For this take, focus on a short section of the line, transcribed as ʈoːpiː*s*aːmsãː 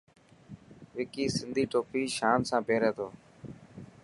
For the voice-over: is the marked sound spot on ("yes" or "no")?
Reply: no